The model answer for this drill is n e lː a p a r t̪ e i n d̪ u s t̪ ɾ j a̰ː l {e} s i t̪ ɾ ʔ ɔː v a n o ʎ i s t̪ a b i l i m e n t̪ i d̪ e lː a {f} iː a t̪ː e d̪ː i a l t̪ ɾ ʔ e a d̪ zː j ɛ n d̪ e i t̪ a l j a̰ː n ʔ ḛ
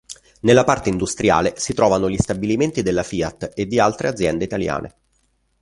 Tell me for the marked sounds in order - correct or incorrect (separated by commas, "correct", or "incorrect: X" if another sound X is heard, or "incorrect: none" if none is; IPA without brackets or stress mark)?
correct, correct